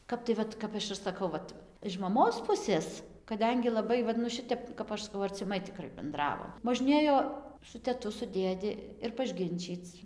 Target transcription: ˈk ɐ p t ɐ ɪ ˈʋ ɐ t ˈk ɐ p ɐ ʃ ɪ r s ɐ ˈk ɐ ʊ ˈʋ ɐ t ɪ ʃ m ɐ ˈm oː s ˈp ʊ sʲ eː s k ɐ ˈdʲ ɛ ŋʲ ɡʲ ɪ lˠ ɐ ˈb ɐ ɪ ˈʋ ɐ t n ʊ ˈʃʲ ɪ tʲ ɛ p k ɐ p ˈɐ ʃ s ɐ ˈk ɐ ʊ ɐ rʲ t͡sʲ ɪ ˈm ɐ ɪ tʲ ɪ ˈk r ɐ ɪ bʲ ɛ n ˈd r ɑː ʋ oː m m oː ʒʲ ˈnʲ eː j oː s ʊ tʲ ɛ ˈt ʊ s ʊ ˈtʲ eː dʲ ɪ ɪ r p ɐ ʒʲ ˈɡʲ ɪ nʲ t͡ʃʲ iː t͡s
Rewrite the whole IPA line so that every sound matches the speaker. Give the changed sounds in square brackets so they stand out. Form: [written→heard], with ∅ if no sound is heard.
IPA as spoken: ˈk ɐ p t ɐ ɪ ˈʋ ɐ t ˈk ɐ p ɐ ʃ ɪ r s ɐ ˈk ɐ ʊ ˈʋ ɐ t ɪ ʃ m ɐ ˈm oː s ˈp ʊ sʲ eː s k ɐ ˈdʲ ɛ ŋʲ ɡʲ ɪ lˠ ɐ ˈb ɐ ɪ ˈʋ ɐ t n ʊ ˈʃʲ ɪ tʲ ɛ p k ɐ p ˈɐ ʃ s ɐ ˈk ɐ ʊ ɐ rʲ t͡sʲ ɪ ˈm ɐ ɪ tʲ ɪ ˈk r ɐ ɪ bʲ ɛ n ˈd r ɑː ʋ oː m m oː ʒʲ ˈnʲ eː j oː s ʊ tʲ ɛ ˈt ʊ s ʊ [ˈtʲ→ˈdʲ] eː dʲ ɪ ɪ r p ɐ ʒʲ ˈɡʲ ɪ nʲ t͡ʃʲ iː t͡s